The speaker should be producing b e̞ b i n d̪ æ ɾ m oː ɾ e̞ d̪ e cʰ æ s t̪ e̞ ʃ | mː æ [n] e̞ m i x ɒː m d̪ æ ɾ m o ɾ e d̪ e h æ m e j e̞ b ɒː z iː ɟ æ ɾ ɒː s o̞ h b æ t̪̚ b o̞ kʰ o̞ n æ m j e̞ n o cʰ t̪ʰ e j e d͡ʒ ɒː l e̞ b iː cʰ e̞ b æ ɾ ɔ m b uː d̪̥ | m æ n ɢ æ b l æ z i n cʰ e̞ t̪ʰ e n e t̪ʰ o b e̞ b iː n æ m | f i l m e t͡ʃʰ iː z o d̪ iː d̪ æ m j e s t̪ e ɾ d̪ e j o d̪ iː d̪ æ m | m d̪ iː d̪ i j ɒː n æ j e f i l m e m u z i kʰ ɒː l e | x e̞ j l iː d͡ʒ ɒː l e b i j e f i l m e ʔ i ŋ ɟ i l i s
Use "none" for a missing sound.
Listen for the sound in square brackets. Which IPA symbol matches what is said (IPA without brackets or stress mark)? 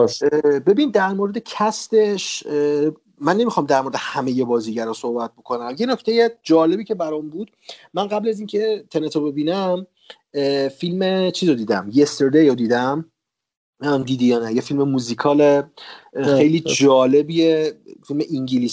nː